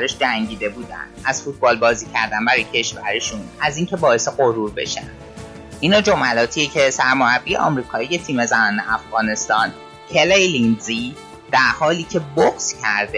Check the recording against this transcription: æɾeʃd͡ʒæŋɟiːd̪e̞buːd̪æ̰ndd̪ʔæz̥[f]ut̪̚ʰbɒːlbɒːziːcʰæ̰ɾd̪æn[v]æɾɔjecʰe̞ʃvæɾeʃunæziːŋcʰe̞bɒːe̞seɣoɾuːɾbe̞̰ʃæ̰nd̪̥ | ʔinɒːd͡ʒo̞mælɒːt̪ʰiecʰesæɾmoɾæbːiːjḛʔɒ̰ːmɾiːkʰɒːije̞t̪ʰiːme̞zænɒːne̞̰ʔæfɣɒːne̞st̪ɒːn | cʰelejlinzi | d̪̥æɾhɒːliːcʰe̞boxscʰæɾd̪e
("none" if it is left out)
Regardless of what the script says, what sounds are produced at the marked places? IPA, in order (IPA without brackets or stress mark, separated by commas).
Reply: f, b